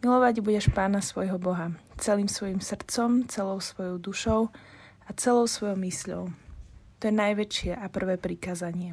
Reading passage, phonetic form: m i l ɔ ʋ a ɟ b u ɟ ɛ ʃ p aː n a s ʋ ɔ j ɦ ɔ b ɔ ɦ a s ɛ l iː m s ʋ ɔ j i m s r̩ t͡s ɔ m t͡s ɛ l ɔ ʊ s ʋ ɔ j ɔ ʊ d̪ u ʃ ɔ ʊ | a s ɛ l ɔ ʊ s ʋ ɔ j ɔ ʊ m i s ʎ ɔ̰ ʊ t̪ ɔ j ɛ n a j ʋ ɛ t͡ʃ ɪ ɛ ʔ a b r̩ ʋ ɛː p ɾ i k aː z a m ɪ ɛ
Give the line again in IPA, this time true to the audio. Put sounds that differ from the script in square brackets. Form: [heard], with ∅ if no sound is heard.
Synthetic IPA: m i l ɔ ʋ a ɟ b u ɟ ɛ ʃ p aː n a s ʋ ɔ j ɦ ɔ b ɔ ɦ a [t͡s] ɛ l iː m s ʋ ɔ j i m s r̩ t͡s ɔ m t͡s ɛ l ɔ ʊ s ʋ ɔ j ɔ ʊ d̪ u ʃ ɔ ʊ | a [t͡s] ɛ l ɔ ʊ s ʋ ɔ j ɔ ʊ m i s ʎ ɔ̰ ʊ t̪ ɔ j ɛ n a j ʋ ɛ t͡ʃ ɪ ɛ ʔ a [p] r̩ ʋ ɛː p ɾ i k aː z a [ɲ] ɪ ɛ